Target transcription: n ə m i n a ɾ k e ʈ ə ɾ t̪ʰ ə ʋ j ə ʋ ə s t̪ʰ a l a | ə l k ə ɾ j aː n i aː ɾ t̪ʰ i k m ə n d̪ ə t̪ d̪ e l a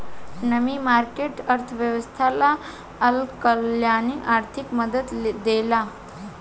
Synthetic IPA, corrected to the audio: n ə m i m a ɾ k e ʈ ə ɾ t̪ʰ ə ʋ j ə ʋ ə s t̪ʰ a l a | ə l k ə l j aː n i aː ɾ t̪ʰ i k m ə d̪ ə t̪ d̪ e l a